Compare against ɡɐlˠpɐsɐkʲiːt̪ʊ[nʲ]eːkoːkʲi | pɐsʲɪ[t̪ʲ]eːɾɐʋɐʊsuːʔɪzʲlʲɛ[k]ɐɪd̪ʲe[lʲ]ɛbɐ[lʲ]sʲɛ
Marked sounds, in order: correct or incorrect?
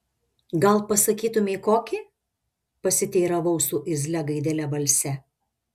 incorrect: mʲ, correct, incorrect: ɡ, correct, correct

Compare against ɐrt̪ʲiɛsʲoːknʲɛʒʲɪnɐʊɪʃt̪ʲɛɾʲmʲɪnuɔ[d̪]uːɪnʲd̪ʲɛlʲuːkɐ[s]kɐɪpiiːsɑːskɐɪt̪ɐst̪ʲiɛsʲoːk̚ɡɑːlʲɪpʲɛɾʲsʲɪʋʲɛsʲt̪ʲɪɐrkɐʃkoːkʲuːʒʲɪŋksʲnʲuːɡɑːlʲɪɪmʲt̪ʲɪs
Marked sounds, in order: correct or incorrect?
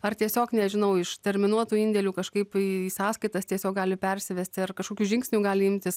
incorrect: t̪, incorrect: ʃ

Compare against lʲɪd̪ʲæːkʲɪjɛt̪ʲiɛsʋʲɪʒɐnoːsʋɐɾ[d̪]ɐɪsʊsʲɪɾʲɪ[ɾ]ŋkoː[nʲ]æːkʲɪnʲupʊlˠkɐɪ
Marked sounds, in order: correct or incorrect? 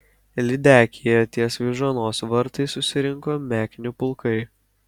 incorrect: t̪, incorrect: none, incorrect: mʲ

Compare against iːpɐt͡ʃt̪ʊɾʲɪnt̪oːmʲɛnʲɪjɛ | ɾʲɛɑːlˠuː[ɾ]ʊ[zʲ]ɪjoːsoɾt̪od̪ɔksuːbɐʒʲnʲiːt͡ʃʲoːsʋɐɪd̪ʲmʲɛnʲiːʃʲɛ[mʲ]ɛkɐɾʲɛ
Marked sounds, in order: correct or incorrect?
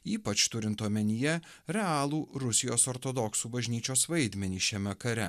correct, incorrect: sʲ, correct

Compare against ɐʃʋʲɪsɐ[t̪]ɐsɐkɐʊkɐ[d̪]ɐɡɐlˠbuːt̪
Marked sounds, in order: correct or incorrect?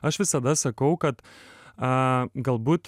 incorrect: d̪, incorrect: t̪

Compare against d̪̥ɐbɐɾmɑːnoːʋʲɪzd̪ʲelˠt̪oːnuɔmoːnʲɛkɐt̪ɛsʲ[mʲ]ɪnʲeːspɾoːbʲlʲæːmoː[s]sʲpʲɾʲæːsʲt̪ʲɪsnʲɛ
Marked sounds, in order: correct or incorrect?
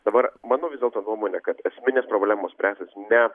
correct, correct

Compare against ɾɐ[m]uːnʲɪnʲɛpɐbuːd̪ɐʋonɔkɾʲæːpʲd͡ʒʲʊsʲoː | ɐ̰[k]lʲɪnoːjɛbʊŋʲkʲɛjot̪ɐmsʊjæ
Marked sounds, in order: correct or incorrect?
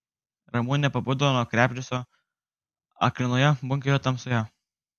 correct, correct

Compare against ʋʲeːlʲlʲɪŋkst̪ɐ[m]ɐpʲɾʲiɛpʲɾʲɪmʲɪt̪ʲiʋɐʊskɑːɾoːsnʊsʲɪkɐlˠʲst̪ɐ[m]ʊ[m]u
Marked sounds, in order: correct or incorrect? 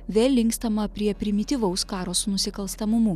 correct, correct, correct

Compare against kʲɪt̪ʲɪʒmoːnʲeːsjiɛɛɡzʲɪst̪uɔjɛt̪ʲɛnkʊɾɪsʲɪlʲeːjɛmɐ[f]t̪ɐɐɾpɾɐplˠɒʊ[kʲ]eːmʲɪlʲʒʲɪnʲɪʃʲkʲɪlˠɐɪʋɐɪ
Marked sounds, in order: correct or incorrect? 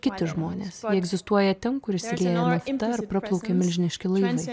correct, correct

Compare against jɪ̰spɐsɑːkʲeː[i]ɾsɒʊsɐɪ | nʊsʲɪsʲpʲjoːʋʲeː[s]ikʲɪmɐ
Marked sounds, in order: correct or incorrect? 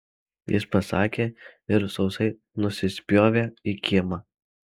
incorrect: ɪ, incorrect: none

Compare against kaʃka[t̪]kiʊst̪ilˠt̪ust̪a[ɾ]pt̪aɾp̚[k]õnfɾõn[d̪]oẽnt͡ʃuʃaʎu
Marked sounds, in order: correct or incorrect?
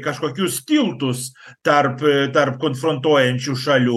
incorrect: none, correct, correct, incorrect: t̪

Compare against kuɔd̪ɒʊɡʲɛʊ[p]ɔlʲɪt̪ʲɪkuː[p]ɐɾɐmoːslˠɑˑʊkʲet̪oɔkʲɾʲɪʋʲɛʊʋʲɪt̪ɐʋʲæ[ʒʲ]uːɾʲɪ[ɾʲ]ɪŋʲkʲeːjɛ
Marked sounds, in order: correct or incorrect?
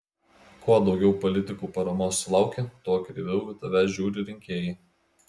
correct, correct, correct, correct

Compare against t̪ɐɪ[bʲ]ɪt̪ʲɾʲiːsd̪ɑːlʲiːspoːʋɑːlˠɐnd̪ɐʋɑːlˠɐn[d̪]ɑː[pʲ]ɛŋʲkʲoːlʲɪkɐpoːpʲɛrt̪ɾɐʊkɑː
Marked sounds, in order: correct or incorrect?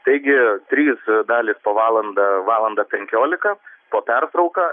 incorrect: ɡʲ, correct, correct

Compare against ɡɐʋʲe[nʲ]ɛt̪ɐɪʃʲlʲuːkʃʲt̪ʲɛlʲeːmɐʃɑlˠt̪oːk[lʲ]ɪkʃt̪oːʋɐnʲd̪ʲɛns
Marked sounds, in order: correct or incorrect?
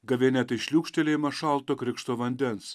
correct, incorrect: ɾʲ

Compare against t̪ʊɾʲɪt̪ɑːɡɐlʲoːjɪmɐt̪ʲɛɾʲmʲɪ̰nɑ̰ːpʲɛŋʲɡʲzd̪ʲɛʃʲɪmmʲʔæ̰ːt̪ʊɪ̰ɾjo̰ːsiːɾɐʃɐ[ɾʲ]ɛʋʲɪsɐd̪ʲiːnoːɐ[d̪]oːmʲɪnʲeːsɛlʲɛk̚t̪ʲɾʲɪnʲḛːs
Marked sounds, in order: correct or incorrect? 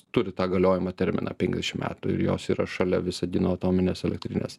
incorrect: lʲ, incorrect: t̪

